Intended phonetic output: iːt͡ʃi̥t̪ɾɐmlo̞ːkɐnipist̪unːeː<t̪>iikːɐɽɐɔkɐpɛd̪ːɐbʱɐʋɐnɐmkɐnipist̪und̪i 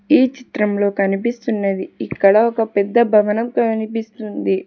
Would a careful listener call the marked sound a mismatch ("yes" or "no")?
yes